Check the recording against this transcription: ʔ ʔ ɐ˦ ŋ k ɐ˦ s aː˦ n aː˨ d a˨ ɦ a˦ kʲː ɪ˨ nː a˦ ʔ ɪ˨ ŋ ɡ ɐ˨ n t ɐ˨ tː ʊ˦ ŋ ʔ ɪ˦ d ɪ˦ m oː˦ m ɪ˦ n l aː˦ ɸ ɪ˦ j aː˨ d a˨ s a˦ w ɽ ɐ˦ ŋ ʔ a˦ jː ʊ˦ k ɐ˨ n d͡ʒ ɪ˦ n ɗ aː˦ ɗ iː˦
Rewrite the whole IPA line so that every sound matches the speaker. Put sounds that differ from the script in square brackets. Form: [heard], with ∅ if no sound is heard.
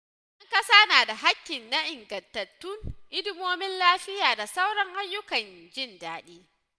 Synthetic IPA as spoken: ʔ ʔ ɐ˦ ŋ k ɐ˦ s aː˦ n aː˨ d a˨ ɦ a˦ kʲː ɪ˨ nː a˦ ʔ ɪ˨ ŋ ɡ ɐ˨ n t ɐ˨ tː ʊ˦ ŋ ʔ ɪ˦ d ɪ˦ m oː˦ m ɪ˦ n l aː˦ ɸ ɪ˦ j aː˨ d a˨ s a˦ w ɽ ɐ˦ ŋ ʔ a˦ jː ʊ˦ k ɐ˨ n d͡ʒ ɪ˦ n [d] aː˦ ɗ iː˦